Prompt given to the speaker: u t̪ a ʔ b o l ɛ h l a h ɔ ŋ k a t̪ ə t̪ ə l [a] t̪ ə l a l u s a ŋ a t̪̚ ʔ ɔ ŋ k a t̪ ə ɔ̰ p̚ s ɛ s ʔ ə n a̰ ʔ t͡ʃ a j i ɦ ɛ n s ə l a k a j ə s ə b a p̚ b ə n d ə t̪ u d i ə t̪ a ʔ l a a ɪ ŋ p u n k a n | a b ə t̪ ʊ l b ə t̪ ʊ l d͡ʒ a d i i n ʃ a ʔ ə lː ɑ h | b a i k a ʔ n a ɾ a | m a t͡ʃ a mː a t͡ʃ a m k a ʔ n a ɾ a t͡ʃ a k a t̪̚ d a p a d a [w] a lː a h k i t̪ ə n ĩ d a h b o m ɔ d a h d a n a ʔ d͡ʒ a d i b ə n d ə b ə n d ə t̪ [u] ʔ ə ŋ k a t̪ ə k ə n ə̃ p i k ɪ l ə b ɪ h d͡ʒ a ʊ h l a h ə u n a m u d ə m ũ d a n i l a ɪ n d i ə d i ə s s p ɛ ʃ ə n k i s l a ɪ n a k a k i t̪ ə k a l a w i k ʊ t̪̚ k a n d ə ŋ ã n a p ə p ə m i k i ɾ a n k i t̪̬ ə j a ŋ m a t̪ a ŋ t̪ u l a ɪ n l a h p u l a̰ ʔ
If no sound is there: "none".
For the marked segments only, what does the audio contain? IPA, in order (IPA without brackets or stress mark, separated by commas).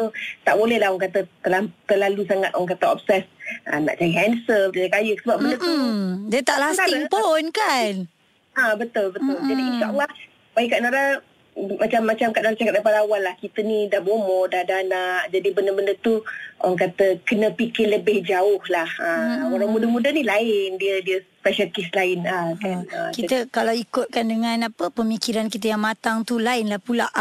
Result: a, w, u